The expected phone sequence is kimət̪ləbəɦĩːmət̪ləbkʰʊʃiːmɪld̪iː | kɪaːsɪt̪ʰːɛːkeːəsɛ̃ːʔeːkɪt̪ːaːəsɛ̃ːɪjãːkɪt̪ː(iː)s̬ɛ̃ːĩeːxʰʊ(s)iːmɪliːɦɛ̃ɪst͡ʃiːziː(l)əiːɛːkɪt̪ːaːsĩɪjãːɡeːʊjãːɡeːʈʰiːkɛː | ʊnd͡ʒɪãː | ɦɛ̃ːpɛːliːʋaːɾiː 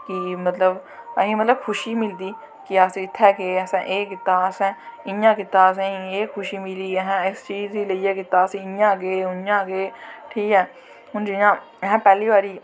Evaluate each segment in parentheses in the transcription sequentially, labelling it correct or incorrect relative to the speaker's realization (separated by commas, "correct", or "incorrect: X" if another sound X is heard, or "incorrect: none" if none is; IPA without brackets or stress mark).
incorrect: aː, incorrect: ʃ, correct